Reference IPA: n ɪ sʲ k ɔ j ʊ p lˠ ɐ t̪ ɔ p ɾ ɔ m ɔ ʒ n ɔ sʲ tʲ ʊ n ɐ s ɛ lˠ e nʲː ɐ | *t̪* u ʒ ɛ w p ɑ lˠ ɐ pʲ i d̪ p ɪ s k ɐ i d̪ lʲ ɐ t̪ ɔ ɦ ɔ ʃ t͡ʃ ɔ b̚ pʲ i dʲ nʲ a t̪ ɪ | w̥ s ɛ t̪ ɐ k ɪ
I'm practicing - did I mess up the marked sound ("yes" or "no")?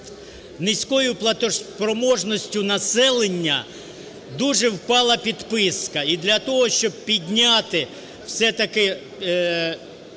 yes